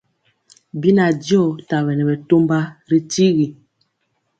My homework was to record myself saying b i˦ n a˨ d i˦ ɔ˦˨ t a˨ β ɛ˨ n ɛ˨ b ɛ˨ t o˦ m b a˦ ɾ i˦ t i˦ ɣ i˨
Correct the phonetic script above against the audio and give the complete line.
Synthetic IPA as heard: b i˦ n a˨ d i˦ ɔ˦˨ t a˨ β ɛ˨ n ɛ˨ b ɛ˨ t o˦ m b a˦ ɾ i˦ t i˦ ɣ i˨